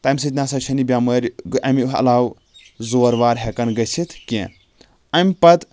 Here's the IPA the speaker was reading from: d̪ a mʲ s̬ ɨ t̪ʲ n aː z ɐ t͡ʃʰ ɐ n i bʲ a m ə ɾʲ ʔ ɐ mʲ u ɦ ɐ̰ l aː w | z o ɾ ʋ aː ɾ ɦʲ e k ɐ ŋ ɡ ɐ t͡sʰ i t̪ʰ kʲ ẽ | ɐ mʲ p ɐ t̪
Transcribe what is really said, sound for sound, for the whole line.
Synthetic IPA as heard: t̪ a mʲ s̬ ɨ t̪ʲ n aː s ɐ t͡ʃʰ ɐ n i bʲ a m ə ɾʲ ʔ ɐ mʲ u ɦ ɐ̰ l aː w | z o ɾ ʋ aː ɾ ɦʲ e k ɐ n ɡ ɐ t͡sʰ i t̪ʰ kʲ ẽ | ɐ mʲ p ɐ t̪